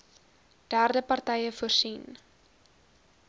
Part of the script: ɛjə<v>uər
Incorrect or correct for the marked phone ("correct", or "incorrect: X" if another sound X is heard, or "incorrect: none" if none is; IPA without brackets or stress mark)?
incorrect: f